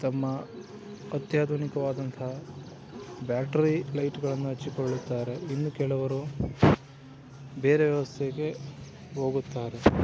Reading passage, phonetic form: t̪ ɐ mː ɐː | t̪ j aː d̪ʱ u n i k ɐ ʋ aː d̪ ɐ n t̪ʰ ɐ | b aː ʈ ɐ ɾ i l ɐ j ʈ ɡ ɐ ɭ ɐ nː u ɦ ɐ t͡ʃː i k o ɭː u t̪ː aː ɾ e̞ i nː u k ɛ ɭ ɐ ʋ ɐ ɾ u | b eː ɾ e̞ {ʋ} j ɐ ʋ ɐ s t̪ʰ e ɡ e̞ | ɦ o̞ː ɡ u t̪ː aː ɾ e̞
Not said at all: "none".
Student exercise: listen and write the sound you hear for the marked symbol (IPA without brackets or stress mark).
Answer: ʋ